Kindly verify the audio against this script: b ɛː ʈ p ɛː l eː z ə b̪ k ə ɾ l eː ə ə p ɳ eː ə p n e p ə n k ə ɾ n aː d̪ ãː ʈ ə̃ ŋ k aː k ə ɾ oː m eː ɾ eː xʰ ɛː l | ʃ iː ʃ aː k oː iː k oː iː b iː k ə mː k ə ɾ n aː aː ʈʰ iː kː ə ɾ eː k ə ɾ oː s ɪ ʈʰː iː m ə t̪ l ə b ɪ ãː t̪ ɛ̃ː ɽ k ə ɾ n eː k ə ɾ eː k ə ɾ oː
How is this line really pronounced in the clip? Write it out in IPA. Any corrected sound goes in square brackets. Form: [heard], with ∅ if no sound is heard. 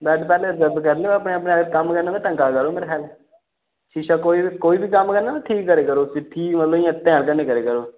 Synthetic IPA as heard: b ɛː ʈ p ɛː l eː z ə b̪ k ə ɾ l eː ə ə p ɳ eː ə p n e [k] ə [m] k ə ɾ n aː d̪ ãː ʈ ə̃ ŋ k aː k ə ɾ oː m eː ɾ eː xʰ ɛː l | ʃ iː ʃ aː k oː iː k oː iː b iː k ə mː k ə ɾ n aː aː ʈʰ iː kː ə ɾ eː k ə ɾ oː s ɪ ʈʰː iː m ə t̪ l ə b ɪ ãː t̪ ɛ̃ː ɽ k ə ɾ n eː k ə ɾ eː k ə ɾ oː